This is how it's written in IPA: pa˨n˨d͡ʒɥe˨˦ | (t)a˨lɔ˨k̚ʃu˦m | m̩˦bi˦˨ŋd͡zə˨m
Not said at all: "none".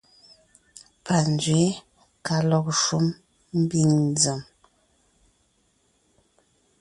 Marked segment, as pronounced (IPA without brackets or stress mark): k